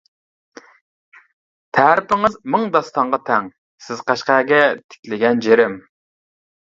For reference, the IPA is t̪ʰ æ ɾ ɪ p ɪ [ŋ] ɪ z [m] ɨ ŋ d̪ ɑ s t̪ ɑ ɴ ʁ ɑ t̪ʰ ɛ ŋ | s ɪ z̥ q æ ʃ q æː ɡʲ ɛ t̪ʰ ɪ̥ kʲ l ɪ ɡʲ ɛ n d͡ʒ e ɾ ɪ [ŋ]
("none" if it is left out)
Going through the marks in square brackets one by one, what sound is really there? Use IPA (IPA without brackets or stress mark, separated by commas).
ŋ, m, m